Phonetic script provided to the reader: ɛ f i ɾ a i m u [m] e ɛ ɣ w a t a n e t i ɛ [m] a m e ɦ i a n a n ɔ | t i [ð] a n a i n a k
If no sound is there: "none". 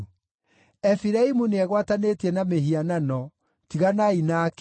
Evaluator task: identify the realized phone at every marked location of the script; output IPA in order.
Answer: n, n, ɣ

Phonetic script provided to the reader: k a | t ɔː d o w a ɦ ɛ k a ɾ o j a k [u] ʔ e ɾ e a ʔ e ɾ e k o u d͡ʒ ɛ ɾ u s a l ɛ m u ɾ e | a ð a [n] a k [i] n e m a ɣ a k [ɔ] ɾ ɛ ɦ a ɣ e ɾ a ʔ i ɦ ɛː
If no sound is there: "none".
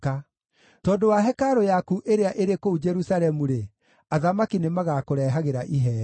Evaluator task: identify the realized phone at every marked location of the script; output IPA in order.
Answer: u, m, i, o

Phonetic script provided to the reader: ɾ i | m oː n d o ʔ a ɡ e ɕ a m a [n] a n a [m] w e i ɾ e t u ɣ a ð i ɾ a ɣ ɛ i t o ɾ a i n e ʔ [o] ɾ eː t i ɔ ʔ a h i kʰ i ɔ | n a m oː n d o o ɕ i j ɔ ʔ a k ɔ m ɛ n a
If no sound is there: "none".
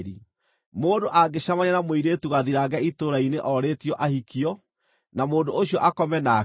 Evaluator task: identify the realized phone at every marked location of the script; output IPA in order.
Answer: ɲ, m, ɔ

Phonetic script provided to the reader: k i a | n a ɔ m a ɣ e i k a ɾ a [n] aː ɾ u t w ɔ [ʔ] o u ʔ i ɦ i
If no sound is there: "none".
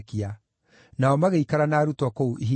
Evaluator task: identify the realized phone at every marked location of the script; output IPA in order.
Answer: n, k

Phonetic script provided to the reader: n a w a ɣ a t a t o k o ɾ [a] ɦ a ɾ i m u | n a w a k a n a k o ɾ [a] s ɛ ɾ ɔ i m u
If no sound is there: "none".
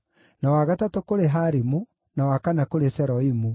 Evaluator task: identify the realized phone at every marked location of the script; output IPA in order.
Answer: e, e

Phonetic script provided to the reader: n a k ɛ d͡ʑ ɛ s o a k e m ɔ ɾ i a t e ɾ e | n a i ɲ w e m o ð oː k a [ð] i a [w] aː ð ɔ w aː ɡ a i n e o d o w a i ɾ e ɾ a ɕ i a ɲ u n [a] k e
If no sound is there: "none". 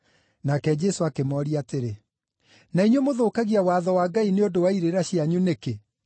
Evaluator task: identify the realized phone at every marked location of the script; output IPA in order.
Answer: ɣ, w, e

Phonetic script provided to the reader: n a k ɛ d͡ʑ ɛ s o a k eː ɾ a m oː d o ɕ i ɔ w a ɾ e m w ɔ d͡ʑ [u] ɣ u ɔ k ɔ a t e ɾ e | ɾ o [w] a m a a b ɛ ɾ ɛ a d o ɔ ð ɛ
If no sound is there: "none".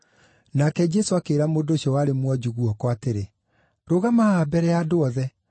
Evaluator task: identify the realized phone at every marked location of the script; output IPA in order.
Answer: u, ɣ

